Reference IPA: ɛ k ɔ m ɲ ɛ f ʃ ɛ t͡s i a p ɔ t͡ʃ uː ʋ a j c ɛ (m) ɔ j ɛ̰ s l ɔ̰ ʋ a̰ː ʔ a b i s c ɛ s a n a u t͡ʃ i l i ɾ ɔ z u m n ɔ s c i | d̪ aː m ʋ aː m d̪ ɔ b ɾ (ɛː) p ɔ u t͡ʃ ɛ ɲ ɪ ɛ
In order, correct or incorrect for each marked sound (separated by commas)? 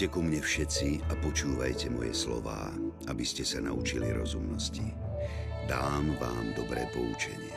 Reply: correct, correct